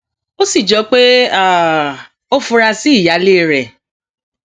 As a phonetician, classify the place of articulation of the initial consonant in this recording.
alveolar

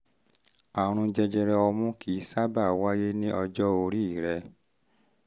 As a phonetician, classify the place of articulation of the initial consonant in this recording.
alveolar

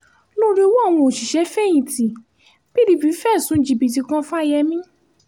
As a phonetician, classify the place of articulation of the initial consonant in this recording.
alveolar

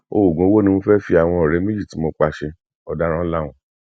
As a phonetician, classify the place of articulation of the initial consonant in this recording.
velar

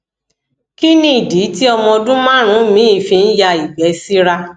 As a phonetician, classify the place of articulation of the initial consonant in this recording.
velar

